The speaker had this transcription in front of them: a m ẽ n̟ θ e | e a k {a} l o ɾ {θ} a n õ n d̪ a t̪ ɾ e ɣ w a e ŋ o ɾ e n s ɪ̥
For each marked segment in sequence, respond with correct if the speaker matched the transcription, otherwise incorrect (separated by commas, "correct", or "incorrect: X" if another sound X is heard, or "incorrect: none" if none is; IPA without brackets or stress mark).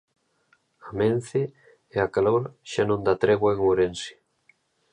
correct, incorrect: ʃ